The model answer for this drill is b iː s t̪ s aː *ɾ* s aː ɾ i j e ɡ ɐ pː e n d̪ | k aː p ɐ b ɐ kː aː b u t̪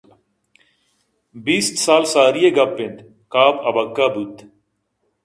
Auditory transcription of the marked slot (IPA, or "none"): l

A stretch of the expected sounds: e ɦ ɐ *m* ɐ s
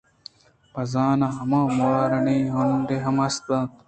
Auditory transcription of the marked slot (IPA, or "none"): m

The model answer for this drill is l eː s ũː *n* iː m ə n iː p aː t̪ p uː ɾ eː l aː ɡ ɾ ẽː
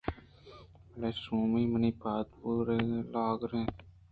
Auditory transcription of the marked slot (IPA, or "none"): m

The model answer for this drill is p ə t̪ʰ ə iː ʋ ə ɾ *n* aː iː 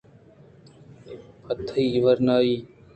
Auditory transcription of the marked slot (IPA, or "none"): n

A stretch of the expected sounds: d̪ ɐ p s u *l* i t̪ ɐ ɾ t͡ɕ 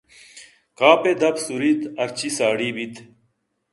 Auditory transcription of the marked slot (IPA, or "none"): ɾ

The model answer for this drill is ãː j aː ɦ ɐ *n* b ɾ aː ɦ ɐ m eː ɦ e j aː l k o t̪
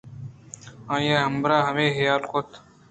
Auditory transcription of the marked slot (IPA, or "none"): m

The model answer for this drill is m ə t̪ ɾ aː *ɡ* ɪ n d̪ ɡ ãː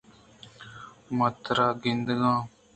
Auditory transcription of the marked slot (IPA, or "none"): ɡ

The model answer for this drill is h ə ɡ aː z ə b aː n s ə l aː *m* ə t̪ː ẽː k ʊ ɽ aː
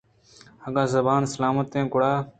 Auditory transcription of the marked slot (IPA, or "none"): m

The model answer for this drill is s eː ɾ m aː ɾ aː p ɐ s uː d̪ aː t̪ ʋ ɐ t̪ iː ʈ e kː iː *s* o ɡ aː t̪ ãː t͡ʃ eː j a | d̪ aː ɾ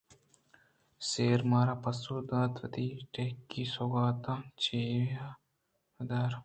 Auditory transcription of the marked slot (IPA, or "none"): s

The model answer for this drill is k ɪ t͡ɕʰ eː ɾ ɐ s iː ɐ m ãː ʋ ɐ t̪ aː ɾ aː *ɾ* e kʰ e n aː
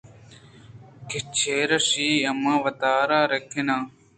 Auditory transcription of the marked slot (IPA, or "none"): ɾ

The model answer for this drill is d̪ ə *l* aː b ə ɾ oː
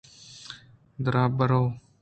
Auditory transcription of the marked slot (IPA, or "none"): ɾ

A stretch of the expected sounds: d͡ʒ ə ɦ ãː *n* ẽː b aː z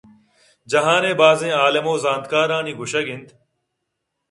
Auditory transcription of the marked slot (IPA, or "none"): n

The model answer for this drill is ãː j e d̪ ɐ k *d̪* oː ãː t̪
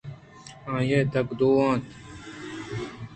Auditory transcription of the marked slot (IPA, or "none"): d̪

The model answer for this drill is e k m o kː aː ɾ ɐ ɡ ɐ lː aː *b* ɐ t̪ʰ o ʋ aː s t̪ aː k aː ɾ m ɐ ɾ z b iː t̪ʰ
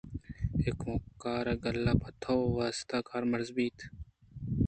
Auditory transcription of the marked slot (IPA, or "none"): p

